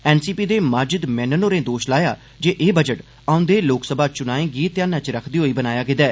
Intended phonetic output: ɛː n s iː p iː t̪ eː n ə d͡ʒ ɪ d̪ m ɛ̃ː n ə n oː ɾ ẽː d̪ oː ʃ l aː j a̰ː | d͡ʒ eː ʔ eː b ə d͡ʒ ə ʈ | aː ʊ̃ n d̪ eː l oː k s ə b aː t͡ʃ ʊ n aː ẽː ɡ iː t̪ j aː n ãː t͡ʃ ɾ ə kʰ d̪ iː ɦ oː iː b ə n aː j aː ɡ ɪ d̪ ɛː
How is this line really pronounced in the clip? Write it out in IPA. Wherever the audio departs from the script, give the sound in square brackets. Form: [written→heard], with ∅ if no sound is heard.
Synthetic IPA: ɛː n s iː p iː [t̪→d̪] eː [n→m] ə d͡ʒ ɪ d̪ m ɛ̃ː n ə n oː ɾ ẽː d̪ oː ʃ l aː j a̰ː | d͡ʒ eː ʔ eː b ə d͡ʒ ə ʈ | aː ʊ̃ n d̪ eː l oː k s ə b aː t͡ʃ ʊ n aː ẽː ɡ iː t̪ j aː n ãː t͡ʃ ɾ ə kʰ d̪ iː ɦ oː iː b ə n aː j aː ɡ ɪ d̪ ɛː